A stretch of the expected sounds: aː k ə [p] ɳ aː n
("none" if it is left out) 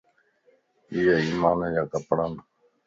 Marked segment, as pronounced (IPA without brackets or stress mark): p